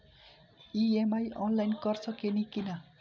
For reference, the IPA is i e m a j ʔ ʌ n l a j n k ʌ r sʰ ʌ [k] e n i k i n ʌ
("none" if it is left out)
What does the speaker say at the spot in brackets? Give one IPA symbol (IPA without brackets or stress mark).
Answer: k